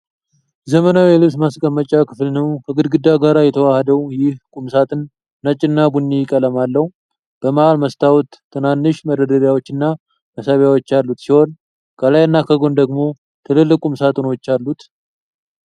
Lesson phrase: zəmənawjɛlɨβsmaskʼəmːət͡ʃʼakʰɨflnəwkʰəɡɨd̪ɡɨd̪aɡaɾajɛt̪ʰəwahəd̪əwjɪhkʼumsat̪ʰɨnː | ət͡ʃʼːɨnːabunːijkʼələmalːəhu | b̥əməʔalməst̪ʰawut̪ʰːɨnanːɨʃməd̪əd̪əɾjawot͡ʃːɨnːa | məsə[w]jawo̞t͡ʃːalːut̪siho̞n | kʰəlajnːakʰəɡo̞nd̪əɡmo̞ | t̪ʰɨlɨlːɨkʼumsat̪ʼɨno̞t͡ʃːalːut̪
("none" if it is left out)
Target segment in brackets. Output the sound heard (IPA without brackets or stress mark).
β